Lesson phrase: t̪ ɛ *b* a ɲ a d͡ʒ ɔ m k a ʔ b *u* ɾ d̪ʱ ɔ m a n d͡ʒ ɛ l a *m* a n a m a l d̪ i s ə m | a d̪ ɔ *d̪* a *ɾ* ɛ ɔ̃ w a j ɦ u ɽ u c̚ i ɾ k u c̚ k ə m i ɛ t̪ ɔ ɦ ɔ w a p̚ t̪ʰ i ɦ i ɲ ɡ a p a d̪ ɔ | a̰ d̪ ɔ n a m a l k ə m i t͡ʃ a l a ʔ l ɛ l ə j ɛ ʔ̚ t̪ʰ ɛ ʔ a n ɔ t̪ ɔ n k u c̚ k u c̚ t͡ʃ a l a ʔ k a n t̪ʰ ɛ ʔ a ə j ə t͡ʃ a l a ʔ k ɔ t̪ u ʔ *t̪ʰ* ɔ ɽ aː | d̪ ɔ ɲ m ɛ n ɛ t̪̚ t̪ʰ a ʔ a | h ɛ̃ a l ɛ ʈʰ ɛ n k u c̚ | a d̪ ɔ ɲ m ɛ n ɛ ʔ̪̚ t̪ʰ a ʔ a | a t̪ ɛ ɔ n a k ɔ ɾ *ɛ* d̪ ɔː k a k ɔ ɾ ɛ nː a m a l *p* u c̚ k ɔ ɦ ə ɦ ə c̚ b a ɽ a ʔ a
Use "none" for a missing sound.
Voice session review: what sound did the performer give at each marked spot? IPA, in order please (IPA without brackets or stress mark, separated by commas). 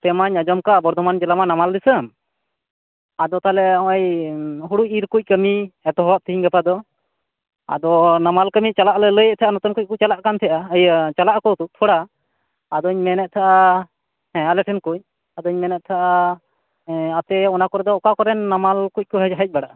m, ɔ, m, t̪, l, t̪ʰ, ɛ, k